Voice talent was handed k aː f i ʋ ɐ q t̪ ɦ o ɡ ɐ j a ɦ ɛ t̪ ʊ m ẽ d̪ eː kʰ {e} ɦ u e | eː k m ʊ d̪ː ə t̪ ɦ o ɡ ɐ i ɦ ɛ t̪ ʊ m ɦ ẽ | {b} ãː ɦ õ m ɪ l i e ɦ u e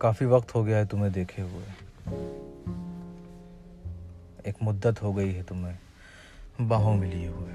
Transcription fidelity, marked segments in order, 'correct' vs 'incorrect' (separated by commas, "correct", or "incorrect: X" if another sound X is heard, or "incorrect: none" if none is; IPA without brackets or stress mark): correct, correct